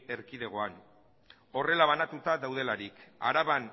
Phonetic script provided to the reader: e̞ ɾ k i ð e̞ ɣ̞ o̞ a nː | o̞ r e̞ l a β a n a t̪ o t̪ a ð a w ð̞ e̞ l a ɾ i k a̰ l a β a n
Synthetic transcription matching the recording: e̞ ɾ k i ð e̞ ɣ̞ o̞ a n | o̞ r e̞ l a β a n a t̪ u t̪ a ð a w ð̞ e̞ l a ɾ i k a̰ ɾ a β a n